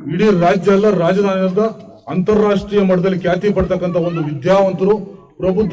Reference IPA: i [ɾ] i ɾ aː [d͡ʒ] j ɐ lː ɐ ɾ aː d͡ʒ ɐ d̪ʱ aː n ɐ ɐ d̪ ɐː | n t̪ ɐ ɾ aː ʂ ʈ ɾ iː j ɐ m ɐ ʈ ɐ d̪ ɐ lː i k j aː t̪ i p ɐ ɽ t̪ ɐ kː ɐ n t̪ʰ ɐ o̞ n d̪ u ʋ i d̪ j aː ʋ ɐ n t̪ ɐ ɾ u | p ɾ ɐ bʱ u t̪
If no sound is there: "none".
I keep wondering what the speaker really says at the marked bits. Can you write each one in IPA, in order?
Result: ɽ, d͡ʒ

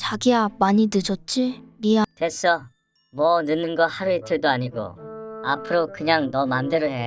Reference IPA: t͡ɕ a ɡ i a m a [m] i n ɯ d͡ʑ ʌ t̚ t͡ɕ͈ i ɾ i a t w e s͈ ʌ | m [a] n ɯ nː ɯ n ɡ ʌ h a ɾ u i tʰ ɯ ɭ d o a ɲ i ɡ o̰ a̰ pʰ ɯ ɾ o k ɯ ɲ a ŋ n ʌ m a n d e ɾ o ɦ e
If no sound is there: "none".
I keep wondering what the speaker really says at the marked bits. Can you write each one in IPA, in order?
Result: ɲ, ʌ

